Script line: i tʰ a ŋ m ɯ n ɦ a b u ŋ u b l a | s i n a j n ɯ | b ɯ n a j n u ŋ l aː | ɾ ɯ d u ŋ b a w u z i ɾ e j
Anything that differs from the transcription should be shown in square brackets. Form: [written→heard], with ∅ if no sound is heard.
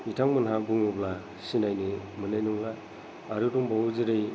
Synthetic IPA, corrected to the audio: i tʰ a ŋ m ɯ n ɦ a b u ŋ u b l a | s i n a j n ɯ | [b→m] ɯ n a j n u ŋ l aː | ɾ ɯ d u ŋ b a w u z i ɾ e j